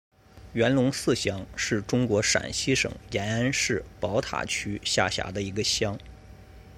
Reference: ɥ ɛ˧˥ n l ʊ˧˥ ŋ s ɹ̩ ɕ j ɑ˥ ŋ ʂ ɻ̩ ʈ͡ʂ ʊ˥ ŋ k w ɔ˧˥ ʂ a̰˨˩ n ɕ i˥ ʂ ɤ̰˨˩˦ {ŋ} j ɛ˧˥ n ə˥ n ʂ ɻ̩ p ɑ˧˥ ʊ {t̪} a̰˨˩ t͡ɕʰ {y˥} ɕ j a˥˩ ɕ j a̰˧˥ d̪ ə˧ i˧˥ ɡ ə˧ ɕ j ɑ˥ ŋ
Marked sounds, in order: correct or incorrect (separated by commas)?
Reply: correct, incorrect, correct